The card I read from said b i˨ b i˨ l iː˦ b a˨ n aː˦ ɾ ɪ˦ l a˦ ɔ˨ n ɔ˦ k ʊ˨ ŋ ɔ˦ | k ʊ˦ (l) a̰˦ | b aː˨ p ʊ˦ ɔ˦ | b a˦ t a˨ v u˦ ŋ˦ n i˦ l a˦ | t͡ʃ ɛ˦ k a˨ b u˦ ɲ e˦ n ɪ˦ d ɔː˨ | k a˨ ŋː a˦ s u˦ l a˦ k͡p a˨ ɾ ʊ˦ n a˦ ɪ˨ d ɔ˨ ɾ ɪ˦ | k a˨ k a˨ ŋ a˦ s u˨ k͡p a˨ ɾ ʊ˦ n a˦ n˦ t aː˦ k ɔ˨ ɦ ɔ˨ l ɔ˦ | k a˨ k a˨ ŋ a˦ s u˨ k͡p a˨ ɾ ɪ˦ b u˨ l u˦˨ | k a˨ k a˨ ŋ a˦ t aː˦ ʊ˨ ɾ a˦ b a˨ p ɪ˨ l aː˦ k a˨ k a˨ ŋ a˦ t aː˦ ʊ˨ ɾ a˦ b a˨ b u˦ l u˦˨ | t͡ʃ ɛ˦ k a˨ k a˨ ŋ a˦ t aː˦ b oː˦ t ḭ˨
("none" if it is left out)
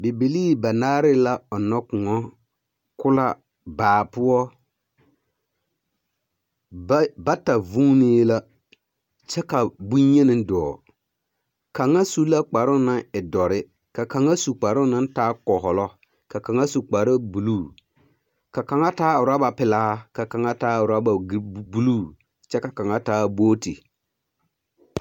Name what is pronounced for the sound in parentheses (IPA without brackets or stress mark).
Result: l